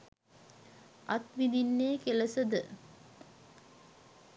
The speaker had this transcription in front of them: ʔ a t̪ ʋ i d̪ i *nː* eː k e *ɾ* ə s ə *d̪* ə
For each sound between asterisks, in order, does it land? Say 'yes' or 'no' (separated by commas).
yes, no, yes